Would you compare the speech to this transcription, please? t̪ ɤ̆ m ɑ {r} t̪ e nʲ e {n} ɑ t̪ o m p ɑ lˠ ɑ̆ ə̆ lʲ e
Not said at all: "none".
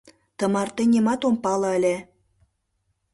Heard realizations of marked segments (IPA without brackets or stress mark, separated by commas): r, m